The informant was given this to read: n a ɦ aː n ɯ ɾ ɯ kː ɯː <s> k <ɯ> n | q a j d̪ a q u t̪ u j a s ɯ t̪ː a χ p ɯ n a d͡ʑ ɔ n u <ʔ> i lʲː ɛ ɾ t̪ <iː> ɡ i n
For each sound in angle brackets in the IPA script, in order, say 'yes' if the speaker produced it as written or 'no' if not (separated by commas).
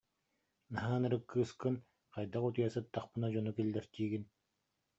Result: yes, yes, no, yes